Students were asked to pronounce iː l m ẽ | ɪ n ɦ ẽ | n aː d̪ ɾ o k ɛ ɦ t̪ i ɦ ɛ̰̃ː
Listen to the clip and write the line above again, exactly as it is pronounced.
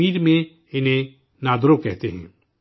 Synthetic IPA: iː ɾ m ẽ | ɪ n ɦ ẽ | n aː d̪ ɾ o k ɛ ɦ t̪ e ɦ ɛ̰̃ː